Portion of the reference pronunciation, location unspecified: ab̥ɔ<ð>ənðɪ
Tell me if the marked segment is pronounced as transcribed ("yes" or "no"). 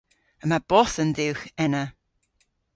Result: no